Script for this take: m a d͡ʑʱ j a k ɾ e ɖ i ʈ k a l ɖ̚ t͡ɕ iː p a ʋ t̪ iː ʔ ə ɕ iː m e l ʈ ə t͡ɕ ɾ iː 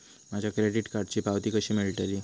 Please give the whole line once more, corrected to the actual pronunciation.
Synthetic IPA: m a d͡ʑʱ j a k ɾ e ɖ i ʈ k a ɾ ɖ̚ t͡ɕ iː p a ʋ t̪ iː k ə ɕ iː m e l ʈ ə ɾ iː